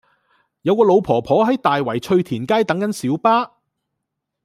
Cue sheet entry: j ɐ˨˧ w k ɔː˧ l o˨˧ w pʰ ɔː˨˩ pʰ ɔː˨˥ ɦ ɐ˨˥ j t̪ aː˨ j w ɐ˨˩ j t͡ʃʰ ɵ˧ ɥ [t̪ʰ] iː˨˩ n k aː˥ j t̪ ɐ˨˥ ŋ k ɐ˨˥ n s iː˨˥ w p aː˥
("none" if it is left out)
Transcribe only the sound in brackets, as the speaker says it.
t̪ʰ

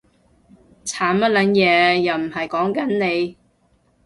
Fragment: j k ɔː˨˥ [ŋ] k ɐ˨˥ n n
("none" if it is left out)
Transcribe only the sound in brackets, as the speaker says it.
ŋ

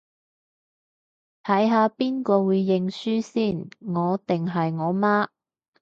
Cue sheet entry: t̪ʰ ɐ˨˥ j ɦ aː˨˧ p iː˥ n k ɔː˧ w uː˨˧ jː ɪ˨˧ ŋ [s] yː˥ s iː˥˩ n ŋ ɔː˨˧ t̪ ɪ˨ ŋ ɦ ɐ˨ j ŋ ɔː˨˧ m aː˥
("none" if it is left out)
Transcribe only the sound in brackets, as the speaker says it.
s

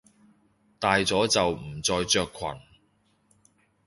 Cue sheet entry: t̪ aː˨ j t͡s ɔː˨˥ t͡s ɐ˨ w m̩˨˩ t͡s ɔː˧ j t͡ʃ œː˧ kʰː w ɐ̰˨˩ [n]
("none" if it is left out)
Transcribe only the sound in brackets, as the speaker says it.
n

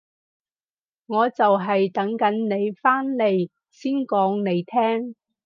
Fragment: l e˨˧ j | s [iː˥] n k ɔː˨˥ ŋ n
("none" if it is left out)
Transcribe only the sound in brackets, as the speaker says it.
iː˥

